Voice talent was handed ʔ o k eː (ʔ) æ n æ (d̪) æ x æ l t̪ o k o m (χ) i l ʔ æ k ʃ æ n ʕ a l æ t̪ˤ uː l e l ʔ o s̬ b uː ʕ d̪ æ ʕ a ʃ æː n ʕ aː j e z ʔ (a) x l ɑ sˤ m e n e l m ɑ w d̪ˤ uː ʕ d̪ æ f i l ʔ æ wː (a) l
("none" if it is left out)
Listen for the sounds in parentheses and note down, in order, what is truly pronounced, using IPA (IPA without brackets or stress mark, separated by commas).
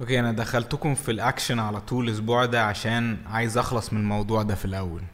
ʔ, d̪, f, ɑ, æ